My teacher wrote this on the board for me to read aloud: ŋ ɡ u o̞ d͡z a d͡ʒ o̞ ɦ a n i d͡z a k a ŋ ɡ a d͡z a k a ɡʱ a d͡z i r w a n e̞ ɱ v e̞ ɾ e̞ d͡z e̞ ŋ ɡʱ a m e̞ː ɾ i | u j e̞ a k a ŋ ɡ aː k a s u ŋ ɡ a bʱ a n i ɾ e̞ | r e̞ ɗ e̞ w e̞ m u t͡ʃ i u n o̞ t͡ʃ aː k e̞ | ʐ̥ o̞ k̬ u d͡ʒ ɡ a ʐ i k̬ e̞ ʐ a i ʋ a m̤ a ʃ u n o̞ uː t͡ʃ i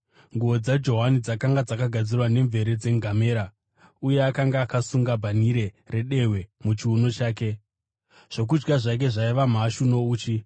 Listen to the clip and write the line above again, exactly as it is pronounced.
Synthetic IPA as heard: ŋ ɡ u o̞ d͡z a d͡ʒ o̞ ɦ a n i d͡z a k a ŋ ɡ a d͡z a k a ɡʱ a d͡z i r w a n e̞ ɱ v e̞ ɾ e̞ d͡z e̞ ŋ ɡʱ a m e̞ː ɾ a | u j e̞ a k a ŋ ɡ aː k a s u ŋ ɡ a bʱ a n i ɾ e̞ | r e̞ ɗ e̞ w e̞ m u t͡ʃ i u n o̞ t͡ʃ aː k e̞ | ʐ̥ o̞ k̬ u d͡ʒ ɡ a ʐ a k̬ e̞ ʐ a i ʋ a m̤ a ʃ u n o̞ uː t͡ʃ i